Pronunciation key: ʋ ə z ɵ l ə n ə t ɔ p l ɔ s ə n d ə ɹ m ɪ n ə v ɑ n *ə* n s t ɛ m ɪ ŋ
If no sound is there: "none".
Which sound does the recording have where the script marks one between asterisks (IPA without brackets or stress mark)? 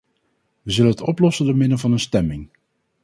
ə